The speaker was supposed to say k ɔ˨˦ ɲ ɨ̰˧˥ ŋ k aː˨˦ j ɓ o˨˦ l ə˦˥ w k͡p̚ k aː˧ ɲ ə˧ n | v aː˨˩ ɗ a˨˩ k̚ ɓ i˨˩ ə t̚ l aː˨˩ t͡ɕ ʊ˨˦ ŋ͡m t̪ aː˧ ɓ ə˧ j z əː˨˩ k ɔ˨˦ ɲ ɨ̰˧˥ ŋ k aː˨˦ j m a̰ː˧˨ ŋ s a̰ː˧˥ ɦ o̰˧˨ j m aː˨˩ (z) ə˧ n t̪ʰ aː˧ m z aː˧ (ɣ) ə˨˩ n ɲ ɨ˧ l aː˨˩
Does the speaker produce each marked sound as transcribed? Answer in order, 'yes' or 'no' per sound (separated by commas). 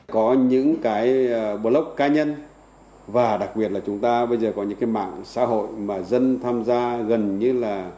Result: yes, yes